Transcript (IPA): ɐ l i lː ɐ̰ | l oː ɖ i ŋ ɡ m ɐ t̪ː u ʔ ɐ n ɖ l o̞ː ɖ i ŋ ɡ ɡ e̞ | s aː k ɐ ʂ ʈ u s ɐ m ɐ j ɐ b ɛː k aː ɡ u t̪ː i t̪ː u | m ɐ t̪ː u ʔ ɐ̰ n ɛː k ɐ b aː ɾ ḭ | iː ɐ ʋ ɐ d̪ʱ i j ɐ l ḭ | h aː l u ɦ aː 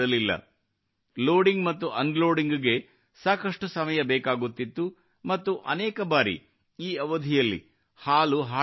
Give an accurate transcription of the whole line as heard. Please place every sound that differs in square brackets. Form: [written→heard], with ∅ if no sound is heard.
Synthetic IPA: ɐ l i lː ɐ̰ | l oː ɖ i ŋ ɡ m ɐ t̪ː u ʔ ɐ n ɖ l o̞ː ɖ i ŋ ɡ ɡ e̞ | s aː k ɐ ʂ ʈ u s ɐ m ɐ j ɐ b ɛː k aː ɡ u t̪ː i t̪ː u | m ɐ t̪ː u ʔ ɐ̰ n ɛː k ɐ b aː ɾ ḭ | iː ɐ ʋ ɐ d̪ʱ i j ɐ [l→lː] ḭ | h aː l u ɦ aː